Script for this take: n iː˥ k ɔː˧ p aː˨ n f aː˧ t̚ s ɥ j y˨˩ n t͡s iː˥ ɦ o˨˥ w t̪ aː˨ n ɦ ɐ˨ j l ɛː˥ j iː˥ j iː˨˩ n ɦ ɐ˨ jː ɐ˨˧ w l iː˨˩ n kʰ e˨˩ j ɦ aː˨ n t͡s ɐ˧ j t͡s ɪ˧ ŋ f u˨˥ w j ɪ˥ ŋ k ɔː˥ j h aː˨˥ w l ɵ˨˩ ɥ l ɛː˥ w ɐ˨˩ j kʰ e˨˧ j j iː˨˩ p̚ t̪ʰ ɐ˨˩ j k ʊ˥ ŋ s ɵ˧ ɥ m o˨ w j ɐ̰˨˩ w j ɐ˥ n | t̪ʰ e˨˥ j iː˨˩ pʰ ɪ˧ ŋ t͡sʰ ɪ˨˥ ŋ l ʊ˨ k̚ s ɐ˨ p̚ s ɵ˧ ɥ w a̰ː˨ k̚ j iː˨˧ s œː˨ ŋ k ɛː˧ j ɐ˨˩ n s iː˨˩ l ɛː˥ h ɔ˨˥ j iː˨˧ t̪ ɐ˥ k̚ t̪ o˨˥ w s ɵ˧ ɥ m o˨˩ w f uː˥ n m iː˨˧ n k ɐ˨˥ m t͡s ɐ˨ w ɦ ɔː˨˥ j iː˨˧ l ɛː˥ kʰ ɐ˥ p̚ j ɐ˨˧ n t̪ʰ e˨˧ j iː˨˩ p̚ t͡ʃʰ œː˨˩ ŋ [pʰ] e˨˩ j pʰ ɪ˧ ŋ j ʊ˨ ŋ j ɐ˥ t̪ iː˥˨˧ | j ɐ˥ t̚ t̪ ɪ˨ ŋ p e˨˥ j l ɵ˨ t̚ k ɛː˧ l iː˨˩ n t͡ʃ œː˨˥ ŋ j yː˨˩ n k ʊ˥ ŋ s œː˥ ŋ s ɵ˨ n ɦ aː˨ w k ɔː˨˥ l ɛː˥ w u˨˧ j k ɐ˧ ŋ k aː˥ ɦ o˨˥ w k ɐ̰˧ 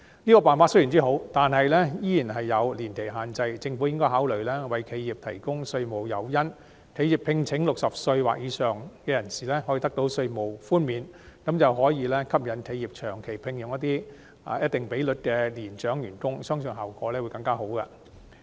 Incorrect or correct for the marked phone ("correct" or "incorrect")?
incorrect